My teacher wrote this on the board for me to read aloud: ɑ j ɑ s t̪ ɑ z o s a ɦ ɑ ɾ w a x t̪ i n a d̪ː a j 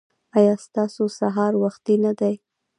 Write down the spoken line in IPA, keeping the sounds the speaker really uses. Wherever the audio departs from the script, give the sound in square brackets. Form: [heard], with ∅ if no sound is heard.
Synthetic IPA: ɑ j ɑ s t̪ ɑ [s] o s a ɦ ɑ ɾ w a x t̪ i n a [d̪] a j